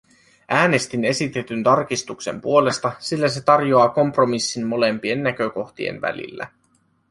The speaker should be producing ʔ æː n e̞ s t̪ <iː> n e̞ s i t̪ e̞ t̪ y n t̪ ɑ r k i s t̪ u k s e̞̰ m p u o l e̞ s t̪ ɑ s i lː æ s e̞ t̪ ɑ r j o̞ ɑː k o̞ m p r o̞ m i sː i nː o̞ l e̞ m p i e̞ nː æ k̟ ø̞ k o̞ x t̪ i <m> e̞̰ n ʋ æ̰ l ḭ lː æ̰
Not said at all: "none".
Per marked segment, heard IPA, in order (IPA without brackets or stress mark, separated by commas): i, none